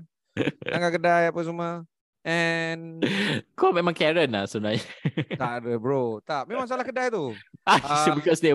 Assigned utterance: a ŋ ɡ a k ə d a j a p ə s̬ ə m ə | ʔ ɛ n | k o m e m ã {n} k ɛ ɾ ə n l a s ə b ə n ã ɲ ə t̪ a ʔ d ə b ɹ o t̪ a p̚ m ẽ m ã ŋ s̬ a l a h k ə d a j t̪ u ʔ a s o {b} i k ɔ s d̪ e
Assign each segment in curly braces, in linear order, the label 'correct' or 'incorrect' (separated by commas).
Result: incorrect, correct